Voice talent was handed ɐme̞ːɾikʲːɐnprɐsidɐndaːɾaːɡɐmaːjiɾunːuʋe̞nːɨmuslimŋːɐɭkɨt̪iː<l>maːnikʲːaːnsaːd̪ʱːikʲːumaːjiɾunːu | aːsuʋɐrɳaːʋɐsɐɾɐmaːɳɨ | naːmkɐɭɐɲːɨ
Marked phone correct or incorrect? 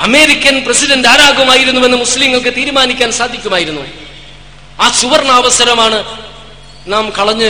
incorrect